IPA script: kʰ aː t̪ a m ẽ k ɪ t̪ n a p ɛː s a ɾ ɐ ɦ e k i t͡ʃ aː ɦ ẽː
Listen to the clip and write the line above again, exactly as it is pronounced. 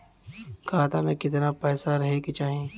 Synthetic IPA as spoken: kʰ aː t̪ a m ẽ k ɪ t̪ n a p ɛː s a ɾ ɐ ɦ e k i t͡ʃ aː ɦ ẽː